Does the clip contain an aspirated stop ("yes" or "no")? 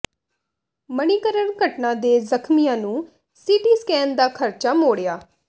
yes